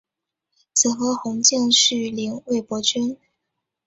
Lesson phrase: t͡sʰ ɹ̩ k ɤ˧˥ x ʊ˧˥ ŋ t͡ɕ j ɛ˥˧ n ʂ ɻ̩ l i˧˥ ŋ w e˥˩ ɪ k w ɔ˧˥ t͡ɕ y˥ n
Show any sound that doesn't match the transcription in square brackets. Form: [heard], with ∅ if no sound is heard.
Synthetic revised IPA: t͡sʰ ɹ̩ [x] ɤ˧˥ x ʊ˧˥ ŋ t͡ɕ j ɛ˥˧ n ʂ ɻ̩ l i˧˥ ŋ w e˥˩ ɪ [p] w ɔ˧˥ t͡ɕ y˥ n